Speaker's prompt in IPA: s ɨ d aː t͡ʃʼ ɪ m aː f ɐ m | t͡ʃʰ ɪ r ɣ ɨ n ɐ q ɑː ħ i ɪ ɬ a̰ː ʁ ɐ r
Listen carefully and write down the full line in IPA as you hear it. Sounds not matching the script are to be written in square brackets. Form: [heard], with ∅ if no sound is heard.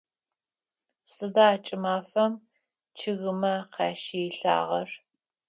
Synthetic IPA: s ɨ d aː t͡ʃʼ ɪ m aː f ɐ m | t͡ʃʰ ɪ [∅] ɣ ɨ [m] ɐ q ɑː [ʃ] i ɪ ɬ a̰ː ʁ ɐ r